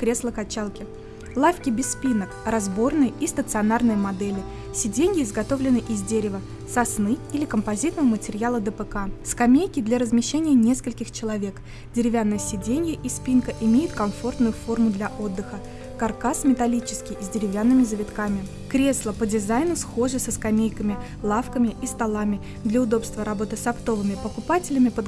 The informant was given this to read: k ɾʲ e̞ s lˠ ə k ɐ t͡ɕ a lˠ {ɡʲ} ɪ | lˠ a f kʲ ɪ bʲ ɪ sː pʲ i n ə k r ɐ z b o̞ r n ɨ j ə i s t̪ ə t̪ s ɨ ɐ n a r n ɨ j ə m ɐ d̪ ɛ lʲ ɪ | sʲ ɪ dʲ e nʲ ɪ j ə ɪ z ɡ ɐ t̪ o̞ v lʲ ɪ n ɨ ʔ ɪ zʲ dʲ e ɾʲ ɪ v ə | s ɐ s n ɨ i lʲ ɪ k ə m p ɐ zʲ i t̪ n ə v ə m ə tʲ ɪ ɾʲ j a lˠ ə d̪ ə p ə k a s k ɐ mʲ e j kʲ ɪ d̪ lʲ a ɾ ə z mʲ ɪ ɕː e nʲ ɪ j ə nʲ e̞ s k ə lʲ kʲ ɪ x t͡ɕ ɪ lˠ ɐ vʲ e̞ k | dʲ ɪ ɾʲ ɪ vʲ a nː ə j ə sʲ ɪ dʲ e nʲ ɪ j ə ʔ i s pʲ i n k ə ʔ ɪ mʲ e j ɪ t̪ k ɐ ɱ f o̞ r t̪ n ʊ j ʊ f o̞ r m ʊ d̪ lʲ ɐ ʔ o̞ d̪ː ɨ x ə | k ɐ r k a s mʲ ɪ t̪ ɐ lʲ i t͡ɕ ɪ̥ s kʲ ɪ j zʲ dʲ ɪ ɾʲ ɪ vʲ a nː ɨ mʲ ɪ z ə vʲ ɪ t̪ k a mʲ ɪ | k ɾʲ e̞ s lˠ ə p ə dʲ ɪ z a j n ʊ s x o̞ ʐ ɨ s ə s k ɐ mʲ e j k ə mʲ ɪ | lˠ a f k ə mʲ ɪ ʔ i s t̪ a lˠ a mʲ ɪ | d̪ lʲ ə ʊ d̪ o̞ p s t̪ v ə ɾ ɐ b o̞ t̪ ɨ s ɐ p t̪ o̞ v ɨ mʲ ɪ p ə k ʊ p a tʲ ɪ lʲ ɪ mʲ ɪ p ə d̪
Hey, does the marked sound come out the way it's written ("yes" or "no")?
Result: no